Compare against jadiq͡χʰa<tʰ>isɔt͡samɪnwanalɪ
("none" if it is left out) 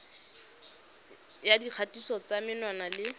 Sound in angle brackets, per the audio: t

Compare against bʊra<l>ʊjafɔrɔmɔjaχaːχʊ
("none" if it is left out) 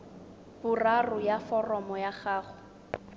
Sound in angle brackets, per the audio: r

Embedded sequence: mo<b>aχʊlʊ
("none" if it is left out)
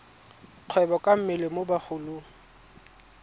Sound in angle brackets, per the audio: b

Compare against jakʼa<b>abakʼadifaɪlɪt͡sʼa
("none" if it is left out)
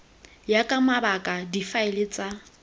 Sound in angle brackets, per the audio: m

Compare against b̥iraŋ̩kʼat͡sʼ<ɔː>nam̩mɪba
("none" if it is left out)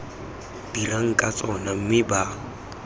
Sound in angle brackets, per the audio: ɔ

